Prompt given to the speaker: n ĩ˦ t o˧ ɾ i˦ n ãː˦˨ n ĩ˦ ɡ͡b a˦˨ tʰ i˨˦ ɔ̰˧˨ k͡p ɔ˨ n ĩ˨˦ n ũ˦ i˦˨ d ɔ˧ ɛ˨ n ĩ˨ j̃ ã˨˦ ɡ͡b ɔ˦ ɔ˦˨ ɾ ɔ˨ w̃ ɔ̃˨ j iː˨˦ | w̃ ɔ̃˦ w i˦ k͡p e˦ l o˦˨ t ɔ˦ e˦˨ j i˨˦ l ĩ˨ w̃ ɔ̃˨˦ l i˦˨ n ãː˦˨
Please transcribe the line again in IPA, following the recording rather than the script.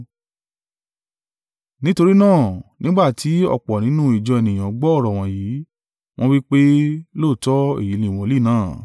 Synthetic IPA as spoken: n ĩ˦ t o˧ ɾ i˦ n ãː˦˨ n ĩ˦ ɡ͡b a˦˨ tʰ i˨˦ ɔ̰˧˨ k͡p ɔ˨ n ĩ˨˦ n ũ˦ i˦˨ d͡ʒ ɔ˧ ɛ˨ n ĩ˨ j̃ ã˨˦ ɡ͡b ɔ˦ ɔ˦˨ ɾ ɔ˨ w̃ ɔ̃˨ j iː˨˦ | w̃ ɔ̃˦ w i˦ k͡p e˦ l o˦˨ t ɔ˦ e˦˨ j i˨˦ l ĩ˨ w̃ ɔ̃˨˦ l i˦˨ n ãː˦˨

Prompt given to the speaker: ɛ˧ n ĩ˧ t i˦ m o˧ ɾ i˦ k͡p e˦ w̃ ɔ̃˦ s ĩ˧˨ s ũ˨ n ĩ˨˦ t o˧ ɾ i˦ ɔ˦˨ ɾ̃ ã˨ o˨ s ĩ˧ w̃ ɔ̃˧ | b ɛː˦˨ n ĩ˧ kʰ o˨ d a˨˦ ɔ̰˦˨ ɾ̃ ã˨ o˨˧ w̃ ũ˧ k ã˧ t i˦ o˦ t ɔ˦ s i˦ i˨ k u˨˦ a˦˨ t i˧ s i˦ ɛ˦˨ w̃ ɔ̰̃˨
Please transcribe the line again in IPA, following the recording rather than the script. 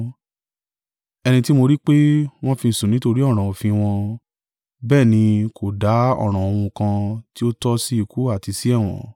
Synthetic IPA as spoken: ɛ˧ n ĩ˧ t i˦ m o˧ ɾ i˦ k͡p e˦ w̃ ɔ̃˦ f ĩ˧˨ s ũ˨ n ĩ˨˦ t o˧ ɾ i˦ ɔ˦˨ ɾ̃ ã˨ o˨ f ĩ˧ w̃ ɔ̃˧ | b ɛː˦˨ n ĩ˧ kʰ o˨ d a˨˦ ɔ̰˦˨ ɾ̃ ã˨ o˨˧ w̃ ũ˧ k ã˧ t i˦ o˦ t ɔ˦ s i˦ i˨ k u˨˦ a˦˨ t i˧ s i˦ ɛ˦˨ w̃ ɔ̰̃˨

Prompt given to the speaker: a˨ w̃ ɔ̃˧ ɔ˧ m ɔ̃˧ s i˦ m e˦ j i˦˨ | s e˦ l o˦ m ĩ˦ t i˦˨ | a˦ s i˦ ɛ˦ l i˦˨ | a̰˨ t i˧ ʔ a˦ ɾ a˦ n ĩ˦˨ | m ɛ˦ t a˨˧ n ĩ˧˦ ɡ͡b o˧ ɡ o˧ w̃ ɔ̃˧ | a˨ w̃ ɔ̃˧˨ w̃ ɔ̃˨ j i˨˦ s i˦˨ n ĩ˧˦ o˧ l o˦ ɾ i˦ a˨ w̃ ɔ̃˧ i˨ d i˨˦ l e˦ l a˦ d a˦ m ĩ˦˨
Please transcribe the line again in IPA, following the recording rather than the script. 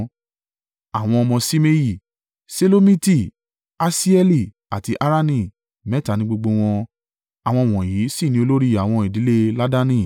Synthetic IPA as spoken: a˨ w̃ ɔ̃˧ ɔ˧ m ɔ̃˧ s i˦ m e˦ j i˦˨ | s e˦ l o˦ m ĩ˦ t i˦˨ | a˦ s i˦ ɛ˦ l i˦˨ | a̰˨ t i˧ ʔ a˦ ɾ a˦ n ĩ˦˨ | m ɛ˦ t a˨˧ n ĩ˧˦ ɡ͡b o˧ ɡ͡b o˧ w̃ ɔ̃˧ | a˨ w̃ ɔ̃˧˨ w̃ ɔ̃˨ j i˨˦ s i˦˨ n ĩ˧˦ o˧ l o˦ ɾ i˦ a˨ w̃ ɔ̃˧ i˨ d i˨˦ l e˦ l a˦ d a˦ n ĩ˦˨

